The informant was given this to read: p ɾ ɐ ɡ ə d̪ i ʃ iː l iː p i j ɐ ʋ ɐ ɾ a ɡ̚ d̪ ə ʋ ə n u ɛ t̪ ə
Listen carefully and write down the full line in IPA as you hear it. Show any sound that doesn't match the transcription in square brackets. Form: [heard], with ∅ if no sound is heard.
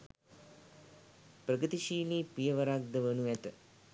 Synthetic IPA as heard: p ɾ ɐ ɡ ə [t̪] i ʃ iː l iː p i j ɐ ʋ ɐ ɾ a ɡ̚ d̪ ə ʋ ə n u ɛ t̪ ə